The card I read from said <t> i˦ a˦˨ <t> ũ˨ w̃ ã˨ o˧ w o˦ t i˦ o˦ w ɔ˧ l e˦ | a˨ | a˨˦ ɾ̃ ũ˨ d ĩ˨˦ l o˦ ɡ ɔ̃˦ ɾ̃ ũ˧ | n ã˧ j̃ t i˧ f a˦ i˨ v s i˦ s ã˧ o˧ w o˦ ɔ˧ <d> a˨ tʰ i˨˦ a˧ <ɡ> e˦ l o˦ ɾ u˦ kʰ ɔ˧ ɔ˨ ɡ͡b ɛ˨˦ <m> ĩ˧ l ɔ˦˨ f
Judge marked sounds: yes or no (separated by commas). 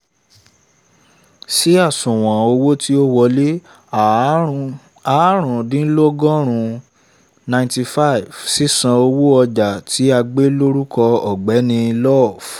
no, no, no, no, no